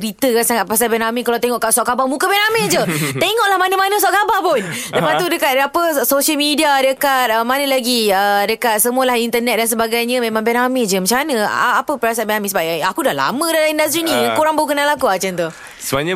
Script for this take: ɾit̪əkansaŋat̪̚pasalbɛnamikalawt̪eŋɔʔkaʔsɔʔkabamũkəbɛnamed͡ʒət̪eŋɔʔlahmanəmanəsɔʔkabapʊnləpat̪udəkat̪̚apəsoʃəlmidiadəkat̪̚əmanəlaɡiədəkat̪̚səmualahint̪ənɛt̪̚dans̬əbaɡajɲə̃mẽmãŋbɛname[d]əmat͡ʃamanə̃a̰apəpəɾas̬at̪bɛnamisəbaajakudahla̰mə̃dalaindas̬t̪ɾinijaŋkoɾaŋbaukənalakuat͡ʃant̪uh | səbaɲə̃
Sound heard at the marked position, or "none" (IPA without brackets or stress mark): d͡ʒ